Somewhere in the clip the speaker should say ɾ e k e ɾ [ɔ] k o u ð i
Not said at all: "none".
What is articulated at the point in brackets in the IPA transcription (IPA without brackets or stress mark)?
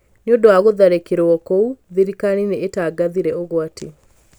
ɔ